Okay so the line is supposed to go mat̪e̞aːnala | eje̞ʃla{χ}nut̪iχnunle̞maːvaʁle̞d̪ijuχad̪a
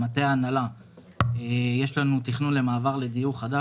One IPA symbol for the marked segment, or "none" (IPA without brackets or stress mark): none